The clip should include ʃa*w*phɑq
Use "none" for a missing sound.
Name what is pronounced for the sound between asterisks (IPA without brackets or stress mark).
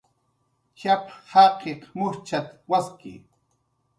none